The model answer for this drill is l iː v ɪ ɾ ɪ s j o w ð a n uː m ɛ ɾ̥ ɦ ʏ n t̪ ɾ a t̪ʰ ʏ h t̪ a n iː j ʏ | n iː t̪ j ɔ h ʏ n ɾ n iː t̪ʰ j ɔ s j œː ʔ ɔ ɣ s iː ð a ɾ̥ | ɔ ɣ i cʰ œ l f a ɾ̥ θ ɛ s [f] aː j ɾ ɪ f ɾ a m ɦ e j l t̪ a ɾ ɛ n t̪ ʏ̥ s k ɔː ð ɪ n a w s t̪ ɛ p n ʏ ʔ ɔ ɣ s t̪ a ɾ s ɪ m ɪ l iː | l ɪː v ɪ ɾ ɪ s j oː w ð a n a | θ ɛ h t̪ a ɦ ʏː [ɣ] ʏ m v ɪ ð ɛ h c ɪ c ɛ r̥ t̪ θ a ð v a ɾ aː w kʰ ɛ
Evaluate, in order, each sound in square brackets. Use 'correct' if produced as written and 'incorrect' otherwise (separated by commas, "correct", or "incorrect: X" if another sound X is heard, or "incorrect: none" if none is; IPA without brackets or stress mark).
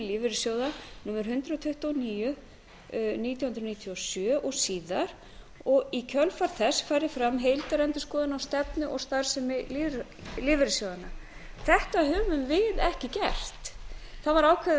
correct, incorrect: v